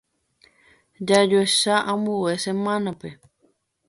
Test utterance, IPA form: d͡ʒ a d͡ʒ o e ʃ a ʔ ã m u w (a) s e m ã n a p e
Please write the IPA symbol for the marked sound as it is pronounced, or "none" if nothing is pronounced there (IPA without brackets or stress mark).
e